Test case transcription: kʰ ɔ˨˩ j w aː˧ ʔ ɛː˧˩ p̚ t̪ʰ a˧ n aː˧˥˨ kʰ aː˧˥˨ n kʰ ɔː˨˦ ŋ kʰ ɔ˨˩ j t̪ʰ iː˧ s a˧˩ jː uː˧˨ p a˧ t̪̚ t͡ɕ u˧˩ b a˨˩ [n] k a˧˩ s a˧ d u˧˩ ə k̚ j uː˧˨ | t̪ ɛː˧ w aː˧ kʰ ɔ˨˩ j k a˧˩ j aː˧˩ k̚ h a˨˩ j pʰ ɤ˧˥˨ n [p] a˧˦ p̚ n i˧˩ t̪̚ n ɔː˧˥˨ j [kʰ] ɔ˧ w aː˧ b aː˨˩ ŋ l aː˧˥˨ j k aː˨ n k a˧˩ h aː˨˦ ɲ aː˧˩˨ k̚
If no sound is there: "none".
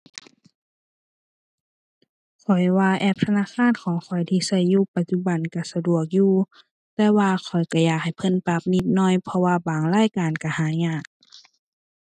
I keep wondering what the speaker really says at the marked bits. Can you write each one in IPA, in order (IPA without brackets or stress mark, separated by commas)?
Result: n, p, pʰ